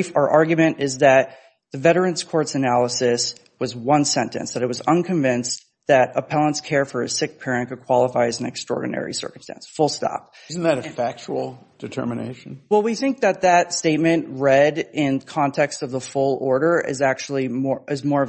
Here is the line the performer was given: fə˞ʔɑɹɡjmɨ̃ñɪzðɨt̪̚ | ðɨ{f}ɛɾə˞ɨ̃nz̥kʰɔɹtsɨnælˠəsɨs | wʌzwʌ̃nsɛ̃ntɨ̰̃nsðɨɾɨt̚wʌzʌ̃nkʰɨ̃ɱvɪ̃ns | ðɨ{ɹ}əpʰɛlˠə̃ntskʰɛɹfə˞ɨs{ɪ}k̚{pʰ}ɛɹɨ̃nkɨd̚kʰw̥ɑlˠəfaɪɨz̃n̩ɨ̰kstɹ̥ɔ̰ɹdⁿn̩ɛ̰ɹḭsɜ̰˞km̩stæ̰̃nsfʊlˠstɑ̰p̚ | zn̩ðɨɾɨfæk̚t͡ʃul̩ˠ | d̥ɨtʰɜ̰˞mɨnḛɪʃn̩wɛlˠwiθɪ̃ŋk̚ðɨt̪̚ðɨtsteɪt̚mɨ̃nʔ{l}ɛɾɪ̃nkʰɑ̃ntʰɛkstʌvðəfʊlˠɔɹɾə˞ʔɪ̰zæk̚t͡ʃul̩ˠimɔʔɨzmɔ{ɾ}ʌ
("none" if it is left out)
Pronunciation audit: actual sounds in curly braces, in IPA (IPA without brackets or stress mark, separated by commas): v, ɾ, ɪ, pʰ, ɹ, ɹ